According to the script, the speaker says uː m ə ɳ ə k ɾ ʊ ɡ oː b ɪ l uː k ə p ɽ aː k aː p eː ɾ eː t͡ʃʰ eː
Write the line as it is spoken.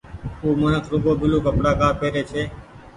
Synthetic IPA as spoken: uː m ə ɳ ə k ɾ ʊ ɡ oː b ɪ l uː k ə p ɽ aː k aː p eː ɾ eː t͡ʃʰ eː